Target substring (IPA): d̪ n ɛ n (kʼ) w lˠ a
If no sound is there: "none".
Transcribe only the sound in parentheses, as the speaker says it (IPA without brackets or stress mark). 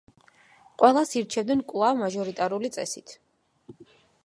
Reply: kʼ